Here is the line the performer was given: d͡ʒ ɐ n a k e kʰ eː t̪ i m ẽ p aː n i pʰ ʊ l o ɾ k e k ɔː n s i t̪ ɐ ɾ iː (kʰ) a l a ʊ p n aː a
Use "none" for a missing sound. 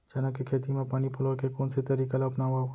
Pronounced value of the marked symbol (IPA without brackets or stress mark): k